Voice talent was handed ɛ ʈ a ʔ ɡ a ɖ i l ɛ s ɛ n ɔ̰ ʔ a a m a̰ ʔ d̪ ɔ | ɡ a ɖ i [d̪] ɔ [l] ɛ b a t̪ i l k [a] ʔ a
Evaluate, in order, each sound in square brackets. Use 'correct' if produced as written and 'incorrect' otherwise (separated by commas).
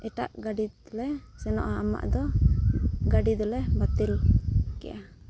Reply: correct, correct, incorrect